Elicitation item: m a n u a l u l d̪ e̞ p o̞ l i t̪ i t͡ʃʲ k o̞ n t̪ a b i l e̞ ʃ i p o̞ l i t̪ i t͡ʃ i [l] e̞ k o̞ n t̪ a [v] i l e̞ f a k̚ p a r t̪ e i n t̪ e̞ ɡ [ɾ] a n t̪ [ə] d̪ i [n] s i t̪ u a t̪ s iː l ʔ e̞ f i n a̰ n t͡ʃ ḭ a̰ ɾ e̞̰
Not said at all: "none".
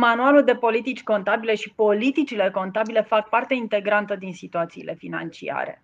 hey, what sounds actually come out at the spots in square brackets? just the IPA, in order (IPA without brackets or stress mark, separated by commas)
l, b, ɾ, ə, n